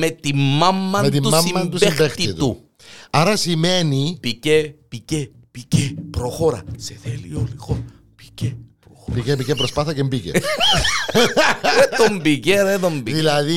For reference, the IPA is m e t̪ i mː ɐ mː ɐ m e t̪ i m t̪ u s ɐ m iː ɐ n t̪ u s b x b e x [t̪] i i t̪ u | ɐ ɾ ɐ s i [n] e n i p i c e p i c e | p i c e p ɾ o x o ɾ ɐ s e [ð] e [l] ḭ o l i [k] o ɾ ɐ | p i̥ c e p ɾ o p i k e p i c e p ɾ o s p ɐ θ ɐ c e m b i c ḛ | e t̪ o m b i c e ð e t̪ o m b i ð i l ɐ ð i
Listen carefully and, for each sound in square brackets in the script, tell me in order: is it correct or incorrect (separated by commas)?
correct, incorrect, incorrect, correct, incorrect